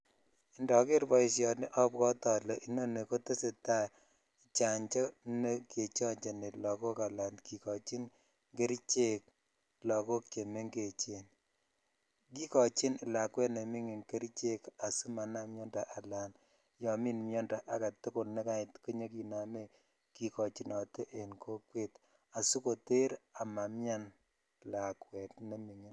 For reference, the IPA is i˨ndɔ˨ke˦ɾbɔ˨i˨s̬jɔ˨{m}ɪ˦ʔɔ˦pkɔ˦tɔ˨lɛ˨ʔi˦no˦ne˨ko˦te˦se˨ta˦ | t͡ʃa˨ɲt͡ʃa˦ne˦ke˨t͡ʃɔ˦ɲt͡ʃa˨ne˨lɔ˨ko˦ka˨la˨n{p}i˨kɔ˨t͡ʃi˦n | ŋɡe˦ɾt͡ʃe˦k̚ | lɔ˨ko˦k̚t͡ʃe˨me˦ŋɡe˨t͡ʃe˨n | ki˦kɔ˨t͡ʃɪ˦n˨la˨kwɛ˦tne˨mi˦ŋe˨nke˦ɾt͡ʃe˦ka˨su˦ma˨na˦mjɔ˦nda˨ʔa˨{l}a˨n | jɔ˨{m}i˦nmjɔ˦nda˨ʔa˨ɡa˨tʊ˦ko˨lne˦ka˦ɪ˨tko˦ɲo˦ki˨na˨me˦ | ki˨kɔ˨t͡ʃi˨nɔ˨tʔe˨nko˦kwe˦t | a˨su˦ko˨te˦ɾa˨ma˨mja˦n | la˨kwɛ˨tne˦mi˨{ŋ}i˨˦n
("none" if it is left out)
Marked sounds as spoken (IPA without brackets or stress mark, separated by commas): n, k, l, m, ŋ